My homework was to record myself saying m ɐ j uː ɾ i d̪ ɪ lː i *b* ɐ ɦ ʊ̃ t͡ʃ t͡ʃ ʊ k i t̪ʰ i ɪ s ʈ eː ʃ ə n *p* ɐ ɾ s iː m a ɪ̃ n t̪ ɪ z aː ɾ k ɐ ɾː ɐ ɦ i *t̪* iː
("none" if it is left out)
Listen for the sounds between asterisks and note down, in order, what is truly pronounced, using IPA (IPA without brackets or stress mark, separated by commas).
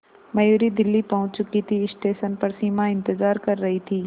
p, p, t̪ʰ